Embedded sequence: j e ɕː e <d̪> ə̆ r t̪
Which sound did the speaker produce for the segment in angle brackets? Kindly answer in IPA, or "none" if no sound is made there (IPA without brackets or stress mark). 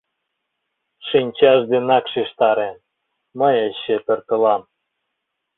t̪